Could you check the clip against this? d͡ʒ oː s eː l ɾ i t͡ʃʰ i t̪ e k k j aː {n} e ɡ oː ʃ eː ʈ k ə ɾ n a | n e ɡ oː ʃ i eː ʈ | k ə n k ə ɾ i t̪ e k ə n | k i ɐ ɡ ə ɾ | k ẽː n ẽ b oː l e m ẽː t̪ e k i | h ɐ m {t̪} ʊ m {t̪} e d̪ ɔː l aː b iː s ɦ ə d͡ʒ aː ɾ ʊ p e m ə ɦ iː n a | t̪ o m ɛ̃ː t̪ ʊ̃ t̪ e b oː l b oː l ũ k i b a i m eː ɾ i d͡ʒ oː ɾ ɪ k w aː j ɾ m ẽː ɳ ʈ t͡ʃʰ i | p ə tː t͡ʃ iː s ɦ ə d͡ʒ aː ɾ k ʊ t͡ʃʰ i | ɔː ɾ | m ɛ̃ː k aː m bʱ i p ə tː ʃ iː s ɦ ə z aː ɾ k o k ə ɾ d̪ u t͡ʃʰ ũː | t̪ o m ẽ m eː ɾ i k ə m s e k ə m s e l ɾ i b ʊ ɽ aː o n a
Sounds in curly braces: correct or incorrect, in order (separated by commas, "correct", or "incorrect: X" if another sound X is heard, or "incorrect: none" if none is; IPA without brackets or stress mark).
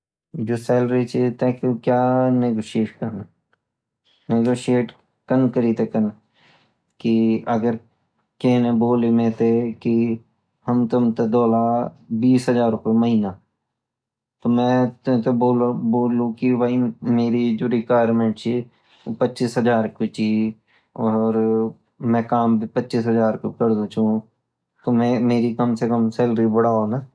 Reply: correct, correct, correct